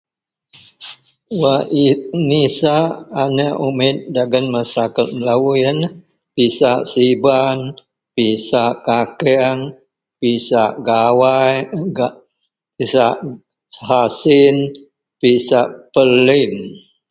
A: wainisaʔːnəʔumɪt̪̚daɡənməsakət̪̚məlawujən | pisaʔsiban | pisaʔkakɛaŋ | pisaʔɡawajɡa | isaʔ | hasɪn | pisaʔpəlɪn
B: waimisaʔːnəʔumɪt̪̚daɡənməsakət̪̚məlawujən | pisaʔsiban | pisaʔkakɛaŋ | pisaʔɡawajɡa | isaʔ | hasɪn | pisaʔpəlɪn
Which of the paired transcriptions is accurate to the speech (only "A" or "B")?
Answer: A